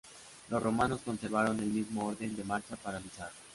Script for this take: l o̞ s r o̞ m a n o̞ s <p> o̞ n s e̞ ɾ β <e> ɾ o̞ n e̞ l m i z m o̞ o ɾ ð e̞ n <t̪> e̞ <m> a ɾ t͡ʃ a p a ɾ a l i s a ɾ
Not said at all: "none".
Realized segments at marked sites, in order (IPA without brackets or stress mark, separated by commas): k, a, d̪, m